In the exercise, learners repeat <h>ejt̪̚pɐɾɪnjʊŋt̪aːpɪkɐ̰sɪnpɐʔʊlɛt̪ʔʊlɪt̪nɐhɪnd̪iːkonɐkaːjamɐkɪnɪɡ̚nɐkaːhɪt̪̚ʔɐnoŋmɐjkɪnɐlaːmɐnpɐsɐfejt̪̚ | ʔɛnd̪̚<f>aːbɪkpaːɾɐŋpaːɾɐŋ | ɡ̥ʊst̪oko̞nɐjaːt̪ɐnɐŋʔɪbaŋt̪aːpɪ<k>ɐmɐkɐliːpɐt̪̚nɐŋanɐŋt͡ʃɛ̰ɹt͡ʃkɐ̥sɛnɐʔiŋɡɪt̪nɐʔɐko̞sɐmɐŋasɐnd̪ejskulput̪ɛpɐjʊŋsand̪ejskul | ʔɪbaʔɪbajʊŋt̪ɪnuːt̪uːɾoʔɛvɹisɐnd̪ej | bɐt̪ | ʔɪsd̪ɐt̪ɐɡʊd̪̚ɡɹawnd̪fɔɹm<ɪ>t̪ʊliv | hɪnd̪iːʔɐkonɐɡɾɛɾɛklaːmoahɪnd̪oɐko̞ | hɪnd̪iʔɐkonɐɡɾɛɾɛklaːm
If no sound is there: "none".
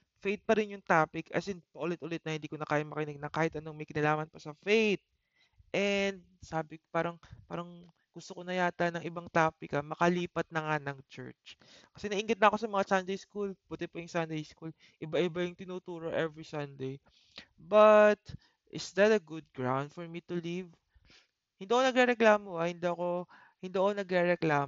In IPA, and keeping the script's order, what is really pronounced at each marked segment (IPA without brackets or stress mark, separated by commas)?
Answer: f, s, k, i